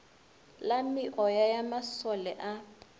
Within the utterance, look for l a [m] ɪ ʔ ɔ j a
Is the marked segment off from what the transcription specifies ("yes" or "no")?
no